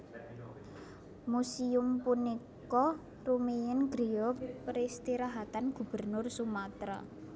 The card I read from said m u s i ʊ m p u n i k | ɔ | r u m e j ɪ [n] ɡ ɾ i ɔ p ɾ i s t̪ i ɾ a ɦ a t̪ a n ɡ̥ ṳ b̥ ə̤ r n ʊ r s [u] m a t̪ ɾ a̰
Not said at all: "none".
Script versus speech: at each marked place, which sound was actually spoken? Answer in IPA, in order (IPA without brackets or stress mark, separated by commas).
n, u